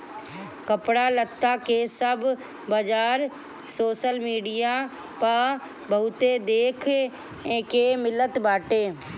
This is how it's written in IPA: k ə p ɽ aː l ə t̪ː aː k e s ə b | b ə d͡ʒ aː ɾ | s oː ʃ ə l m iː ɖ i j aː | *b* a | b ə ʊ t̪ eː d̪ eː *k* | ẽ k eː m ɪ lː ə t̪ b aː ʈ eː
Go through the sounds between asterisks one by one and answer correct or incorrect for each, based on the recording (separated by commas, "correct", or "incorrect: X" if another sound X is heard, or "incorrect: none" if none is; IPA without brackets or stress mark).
incorrect: p, incorrect: kʰ